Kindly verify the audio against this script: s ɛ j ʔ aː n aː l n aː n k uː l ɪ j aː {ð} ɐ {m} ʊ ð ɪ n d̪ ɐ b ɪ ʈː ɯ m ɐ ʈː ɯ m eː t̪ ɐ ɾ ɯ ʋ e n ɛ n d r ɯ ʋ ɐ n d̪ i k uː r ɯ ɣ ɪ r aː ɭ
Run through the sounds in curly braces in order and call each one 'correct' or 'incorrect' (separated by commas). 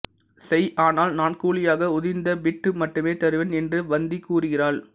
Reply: incorrect, incorrect